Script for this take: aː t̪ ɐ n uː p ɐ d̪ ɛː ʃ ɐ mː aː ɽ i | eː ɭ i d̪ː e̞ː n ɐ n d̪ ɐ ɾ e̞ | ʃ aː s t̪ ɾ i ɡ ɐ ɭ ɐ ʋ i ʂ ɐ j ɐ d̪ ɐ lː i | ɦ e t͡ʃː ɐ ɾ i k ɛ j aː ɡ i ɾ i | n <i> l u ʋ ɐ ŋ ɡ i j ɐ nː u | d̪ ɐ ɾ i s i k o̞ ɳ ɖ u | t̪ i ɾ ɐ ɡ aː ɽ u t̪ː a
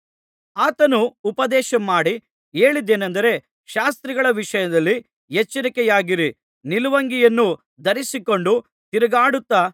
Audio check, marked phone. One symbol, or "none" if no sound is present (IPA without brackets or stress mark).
i